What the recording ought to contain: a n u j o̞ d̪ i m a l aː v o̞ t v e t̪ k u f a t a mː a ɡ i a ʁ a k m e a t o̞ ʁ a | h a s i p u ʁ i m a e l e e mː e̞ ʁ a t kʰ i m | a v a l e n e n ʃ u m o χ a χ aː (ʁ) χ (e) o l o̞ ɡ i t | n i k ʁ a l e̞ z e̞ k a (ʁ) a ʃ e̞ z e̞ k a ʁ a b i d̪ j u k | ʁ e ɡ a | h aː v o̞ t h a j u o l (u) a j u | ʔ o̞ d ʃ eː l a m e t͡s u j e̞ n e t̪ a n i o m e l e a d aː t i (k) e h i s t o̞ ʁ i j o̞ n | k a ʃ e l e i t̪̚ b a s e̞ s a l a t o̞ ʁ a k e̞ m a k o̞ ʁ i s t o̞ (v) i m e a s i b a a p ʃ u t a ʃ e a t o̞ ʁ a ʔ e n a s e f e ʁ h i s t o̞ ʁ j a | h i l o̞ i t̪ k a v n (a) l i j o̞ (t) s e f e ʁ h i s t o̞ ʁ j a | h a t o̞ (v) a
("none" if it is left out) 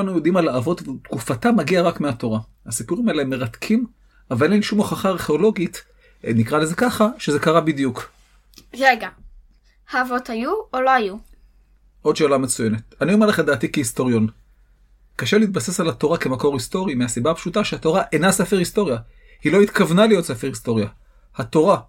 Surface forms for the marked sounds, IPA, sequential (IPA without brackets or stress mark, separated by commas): ʁ, e, χ, o, k, ʁ, a, t, ʁ